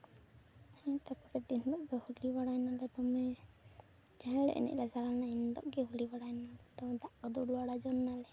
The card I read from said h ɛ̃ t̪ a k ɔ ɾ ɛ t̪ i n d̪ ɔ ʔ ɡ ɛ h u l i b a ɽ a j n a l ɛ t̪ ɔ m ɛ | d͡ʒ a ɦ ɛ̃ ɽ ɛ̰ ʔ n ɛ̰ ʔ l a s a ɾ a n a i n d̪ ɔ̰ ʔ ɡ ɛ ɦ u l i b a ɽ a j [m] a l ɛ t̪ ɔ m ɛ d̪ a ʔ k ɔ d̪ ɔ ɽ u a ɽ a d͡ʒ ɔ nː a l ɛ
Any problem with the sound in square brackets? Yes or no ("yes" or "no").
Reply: yes